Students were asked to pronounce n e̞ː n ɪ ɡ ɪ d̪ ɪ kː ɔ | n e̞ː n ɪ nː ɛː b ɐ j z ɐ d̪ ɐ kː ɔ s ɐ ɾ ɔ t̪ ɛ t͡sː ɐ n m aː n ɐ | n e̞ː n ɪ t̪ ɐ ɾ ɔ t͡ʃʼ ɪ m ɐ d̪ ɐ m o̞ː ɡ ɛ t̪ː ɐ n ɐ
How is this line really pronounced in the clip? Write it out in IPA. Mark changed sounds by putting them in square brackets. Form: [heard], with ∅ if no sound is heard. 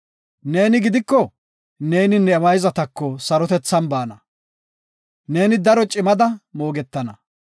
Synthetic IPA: n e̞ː n ɪ ɡ ɪ d̪ ɪ kː ɔ | n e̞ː n ɪ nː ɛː [m] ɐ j z ɐ [t̪] ɐ kː ɔ s ɐ ɾ ɔ t̪ ɛ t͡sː ɐ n [b] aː n ɐ | n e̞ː n ɪ [d̪] ɐ ɾ ɔ t͡ʃʼ ɪ m ɐ d̪ ɐ m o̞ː ɡ ɛ t̪ː ɐ n ɐ